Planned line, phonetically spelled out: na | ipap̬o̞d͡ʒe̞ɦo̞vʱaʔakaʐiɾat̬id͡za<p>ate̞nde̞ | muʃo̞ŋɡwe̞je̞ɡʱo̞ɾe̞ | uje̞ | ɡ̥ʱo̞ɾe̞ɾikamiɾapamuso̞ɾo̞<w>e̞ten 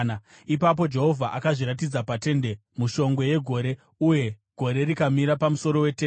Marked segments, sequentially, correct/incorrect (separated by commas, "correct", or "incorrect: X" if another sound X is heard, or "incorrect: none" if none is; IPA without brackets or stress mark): correct, correct